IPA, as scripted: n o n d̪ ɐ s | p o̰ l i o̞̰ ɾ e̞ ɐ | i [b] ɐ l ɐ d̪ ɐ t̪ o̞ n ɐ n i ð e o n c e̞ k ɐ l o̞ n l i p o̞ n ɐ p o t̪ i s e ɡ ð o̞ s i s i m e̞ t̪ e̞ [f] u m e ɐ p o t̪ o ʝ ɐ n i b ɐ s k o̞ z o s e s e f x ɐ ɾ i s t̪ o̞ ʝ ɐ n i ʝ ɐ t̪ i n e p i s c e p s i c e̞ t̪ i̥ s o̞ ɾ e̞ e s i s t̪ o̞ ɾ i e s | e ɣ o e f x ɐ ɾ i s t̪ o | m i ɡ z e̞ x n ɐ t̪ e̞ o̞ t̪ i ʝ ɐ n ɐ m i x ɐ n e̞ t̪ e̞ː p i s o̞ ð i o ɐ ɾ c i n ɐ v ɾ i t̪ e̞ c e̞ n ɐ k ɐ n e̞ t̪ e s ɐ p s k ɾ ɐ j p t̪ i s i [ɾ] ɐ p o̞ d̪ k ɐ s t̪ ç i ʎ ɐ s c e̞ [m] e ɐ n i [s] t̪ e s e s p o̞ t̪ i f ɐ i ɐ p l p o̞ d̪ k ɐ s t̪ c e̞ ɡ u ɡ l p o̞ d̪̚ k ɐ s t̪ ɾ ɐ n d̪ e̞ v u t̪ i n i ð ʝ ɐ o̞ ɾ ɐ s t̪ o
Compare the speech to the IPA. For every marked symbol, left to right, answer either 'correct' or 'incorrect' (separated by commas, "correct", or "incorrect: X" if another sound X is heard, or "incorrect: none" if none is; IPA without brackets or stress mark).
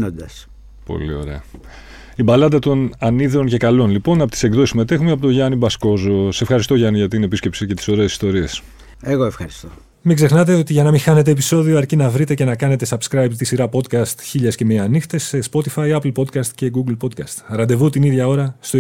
correct, incorrect: x, correct, correct, incorrect: x